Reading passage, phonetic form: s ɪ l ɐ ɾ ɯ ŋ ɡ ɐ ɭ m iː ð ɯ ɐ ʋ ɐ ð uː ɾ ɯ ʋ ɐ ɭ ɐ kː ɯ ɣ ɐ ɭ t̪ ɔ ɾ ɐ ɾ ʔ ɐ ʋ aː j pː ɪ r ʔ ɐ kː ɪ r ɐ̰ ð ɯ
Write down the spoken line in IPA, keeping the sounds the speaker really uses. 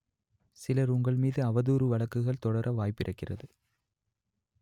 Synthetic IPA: s ɪ l ɐ ɾ ʊ ŋ ɡ ɐ ɭ m iː ð ɯ ɐ ʋ ɐ ð uː ɾ ɯ ʋ ɐ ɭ ɐ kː ɯ ɣ ɐ ɭ t̪ ɔ ɽ ɐ ɾ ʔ ɐ ʋ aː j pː ɪ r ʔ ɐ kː ɪ r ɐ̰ ð ɯ